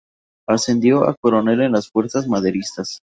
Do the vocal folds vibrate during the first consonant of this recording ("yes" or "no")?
no